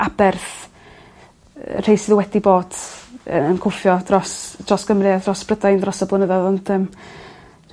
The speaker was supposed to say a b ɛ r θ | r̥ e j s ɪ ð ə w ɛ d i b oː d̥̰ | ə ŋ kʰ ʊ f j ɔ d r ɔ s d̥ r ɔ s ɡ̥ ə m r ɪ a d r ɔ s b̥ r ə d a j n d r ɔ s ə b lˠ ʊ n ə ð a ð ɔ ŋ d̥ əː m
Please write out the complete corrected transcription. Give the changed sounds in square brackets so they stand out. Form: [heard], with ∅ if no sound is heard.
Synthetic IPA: a b ɛ r θ | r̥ e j s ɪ ð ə w ɛ d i b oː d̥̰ | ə [n] kʰ ʊ f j ɔ d r ɔ s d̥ r ɔ s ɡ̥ ə m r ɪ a d r ɔ s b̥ r ə d a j n d r ɔ s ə b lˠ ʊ n ə ð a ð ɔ [n] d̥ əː m